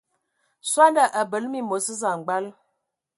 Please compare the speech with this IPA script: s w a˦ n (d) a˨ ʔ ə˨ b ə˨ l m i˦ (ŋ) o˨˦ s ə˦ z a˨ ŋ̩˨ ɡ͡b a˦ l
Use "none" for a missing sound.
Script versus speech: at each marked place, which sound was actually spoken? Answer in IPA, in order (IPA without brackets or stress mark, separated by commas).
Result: d, m